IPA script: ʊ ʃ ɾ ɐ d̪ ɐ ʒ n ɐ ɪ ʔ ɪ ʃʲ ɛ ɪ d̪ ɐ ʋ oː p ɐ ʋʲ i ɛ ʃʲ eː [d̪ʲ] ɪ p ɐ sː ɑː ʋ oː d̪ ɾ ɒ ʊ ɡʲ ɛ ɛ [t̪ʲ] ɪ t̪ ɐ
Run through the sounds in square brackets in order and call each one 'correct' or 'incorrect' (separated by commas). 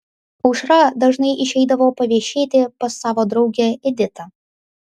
incorrect, incorrect